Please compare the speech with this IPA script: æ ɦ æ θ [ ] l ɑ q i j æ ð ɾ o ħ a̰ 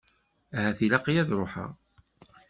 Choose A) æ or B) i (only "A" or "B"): B